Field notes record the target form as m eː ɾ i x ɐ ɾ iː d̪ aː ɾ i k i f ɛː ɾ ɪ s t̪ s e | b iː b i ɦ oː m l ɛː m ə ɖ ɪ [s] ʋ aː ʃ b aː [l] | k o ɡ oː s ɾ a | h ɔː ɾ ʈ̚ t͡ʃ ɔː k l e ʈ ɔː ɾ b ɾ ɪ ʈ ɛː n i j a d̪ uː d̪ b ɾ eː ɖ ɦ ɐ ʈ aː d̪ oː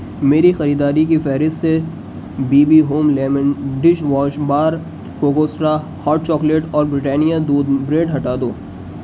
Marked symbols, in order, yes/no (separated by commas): no, no